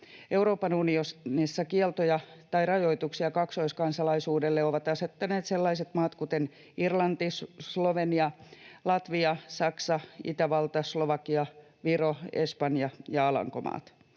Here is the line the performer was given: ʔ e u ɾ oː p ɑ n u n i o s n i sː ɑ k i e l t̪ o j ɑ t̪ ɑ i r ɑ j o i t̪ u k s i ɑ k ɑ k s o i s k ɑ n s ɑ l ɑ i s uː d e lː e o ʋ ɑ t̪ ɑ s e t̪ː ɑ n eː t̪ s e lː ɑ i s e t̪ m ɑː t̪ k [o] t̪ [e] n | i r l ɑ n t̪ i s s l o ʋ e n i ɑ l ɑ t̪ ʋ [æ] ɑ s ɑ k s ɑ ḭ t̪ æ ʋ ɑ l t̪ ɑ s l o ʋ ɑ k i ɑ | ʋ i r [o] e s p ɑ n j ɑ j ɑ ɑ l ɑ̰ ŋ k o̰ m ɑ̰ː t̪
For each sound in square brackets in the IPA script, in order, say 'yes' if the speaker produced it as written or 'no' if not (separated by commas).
no, yes, no, yes